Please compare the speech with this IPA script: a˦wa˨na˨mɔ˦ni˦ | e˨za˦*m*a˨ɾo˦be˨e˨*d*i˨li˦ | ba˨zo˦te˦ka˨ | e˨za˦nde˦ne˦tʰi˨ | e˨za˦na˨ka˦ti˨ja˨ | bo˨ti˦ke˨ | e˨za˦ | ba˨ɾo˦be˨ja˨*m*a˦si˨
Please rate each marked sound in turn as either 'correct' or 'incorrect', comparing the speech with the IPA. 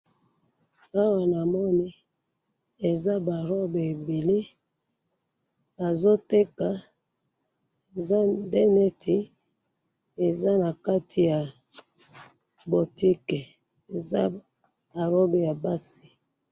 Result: incorrect: b, incorrect: b, incorrect: b

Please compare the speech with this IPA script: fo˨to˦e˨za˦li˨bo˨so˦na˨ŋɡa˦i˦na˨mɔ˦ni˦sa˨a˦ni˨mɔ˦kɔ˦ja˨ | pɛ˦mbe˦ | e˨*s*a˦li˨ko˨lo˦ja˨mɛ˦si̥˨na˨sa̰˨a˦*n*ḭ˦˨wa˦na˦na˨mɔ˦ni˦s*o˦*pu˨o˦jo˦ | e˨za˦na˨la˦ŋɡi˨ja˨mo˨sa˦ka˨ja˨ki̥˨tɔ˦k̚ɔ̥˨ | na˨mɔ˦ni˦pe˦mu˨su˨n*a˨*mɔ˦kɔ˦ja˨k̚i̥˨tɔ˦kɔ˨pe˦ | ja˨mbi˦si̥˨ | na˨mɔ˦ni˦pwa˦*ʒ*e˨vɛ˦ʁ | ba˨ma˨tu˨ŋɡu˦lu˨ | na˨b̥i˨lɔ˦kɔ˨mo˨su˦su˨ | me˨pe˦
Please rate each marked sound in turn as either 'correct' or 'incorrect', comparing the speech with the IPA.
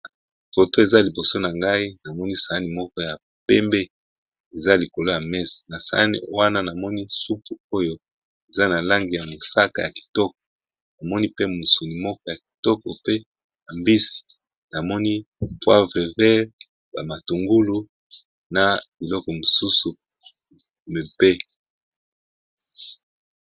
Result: incorrect: z, correct, incorrect: u˦, incorrect: i˨, incorrect: v

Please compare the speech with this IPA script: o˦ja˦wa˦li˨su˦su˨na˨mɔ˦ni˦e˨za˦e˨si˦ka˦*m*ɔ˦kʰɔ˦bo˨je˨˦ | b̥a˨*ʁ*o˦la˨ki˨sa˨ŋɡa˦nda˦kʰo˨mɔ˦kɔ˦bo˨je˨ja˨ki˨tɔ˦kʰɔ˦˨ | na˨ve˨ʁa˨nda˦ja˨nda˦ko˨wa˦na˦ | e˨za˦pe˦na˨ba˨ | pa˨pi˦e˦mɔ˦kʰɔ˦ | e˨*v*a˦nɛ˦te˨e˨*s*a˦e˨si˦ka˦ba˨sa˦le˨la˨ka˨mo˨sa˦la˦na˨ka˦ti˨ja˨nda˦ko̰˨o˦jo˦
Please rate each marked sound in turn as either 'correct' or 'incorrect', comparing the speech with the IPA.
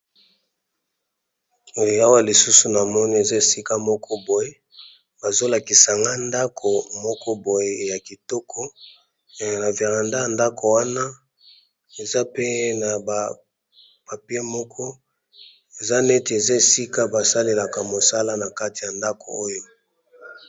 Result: correct, incorrect: z, incorrect: z, incorrect: z

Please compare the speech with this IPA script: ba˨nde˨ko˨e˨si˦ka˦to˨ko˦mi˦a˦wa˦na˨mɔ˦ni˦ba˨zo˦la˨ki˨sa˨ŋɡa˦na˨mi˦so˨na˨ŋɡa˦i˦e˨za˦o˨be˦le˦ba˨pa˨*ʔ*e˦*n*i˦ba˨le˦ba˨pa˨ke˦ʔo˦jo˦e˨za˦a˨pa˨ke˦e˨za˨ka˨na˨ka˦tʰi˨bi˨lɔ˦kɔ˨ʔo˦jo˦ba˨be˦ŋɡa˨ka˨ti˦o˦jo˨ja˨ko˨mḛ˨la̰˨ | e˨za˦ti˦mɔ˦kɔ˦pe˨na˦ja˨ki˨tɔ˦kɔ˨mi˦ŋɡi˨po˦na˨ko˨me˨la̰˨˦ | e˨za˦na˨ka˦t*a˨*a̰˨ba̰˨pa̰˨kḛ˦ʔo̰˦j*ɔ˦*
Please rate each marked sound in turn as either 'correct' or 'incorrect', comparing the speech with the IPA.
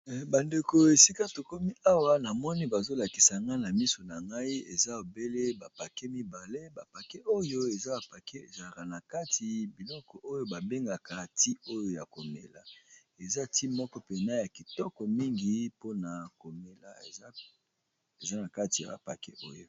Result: incorrect: k, incorrect: m, incorrect: i˨, incorrect: o˦

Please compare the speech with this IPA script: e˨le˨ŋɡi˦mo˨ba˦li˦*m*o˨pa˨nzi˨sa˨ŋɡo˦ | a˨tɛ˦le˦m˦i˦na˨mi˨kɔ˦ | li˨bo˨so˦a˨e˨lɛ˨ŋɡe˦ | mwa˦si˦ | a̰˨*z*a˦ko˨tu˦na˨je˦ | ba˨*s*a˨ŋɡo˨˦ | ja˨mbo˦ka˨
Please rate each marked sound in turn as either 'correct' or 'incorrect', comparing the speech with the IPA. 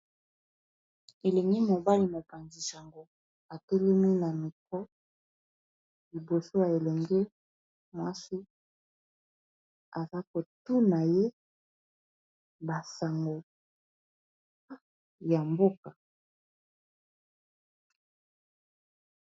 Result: correct, correct, correct

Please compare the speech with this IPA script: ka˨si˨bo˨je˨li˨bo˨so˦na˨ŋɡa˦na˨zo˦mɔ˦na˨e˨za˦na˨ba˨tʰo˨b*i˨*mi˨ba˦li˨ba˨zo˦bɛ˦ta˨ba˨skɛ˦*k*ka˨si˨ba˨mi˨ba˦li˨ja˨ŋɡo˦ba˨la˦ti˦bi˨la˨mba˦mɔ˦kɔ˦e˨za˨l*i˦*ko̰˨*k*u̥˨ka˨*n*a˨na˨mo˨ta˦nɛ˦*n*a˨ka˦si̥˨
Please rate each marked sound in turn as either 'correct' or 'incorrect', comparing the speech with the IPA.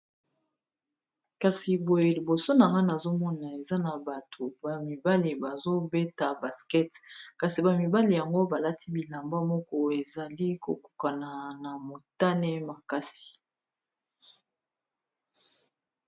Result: incorrect: a˨, incorrect: t, correct, correct, correct, incorrect: m

